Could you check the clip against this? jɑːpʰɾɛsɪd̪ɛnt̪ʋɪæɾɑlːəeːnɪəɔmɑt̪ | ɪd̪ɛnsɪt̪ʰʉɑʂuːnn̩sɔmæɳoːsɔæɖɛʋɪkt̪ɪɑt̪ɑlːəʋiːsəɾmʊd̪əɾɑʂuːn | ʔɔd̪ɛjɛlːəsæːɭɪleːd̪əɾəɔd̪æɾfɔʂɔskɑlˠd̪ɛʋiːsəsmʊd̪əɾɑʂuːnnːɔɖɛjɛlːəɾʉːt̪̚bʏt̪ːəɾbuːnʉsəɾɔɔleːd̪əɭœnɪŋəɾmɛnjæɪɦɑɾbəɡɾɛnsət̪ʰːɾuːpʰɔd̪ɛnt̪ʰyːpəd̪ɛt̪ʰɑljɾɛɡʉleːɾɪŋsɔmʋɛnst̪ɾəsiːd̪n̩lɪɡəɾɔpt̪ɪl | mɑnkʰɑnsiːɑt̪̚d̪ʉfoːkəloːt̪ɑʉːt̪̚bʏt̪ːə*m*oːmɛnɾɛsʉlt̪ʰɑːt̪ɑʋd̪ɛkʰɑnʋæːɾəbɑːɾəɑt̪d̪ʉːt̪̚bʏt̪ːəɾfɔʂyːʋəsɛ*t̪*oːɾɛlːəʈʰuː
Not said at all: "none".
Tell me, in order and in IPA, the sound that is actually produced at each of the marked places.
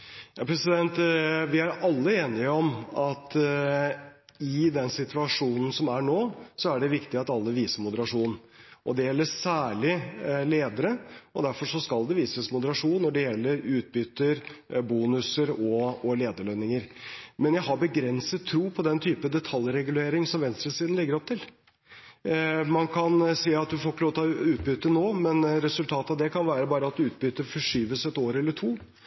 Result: n, t̪

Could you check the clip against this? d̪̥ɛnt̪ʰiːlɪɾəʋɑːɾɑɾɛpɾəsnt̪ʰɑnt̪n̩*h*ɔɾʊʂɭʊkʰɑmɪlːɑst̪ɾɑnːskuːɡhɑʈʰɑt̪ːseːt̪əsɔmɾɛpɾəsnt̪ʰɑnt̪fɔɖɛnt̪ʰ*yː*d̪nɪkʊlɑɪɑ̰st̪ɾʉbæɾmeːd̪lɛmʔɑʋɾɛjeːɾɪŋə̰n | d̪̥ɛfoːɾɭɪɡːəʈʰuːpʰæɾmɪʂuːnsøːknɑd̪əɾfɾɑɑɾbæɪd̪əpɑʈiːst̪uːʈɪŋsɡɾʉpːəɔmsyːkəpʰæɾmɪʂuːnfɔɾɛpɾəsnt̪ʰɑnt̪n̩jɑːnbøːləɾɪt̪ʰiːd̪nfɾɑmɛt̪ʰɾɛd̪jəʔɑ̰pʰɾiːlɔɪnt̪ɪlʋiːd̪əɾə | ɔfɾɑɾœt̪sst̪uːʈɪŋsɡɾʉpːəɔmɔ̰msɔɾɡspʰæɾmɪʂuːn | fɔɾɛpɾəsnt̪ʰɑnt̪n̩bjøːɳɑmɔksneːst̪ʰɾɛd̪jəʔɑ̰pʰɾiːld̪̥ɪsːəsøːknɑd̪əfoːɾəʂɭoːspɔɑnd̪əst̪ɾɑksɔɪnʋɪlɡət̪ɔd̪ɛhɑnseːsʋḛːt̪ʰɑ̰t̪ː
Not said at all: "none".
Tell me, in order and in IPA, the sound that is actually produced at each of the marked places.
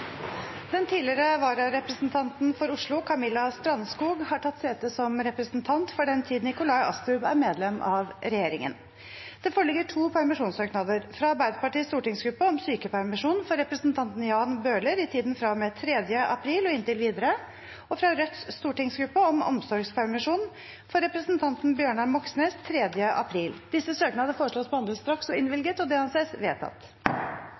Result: f, iː

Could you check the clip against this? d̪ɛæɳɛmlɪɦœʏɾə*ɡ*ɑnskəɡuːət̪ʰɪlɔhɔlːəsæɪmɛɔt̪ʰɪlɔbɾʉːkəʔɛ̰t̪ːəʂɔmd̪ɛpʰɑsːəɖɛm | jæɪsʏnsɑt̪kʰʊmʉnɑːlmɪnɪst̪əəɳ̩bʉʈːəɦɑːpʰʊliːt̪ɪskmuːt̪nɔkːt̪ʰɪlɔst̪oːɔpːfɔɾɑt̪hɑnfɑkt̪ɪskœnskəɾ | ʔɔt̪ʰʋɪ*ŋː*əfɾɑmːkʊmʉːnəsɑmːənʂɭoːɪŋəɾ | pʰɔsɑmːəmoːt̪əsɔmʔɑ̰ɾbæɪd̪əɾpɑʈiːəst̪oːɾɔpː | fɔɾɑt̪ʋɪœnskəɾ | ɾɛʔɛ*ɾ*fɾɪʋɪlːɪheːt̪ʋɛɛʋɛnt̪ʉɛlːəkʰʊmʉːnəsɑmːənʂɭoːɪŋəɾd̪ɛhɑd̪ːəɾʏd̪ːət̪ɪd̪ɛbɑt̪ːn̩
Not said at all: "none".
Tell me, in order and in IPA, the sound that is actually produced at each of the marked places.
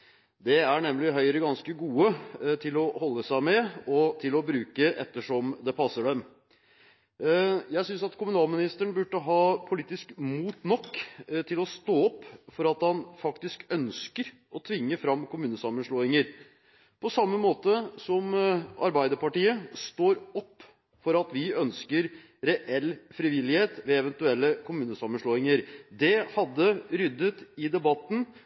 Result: ɡ, ŋː, l

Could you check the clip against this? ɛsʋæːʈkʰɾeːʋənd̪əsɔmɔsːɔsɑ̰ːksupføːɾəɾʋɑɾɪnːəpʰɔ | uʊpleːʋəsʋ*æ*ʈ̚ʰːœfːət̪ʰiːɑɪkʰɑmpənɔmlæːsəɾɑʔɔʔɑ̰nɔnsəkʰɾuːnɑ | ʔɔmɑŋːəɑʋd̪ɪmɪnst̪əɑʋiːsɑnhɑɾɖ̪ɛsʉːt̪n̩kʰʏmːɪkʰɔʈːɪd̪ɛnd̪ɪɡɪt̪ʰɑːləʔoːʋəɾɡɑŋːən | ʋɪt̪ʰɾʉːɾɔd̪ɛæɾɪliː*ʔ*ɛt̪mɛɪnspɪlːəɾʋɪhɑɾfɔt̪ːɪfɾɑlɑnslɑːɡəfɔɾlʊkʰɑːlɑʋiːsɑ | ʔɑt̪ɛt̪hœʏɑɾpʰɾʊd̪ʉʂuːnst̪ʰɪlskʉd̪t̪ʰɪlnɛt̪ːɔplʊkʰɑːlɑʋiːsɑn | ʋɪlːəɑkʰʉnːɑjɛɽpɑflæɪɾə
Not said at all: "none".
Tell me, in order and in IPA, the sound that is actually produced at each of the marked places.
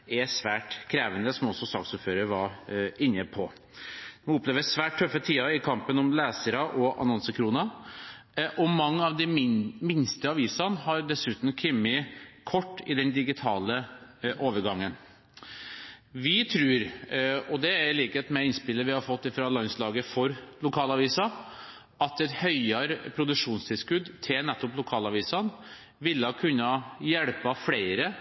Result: æː, k

